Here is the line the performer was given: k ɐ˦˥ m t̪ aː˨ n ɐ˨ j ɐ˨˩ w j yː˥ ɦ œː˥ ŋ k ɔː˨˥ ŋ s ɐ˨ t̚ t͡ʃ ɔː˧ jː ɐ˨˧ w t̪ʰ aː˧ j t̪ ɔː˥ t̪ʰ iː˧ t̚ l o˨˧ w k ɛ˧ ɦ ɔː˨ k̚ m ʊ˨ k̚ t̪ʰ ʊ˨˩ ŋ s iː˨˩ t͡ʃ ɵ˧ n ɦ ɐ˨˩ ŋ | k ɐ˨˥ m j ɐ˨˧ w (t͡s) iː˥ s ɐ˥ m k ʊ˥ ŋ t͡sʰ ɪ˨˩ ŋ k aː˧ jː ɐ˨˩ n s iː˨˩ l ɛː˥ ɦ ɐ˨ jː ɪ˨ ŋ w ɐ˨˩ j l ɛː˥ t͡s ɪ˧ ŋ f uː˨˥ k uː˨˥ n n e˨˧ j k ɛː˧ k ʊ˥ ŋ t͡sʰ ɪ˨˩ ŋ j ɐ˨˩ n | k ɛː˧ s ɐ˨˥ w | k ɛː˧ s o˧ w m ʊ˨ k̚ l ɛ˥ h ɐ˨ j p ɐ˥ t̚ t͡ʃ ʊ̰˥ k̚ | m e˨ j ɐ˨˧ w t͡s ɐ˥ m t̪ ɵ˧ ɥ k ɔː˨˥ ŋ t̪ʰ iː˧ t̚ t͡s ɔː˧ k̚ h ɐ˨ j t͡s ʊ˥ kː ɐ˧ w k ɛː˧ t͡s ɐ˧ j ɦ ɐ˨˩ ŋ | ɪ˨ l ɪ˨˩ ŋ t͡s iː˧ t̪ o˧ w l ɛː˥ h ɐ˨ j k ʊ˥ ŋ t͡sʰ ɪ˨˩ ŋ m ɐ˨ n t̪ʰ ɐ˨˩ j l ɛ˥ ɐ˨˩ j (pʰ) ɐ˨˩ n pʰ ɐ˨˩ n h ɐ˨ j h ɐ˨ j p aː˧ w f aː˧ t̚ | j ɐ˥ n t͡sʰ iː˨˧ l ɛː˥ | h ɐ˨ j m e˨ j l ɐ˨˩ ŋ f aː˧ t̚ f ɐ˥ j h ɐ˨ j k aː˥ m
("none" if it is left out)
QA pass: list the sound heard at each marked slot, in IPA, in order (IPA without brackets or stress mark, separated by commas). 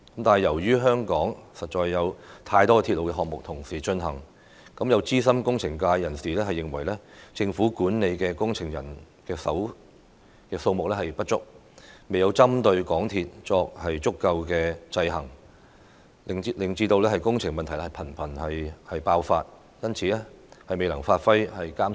t͡s, pʰ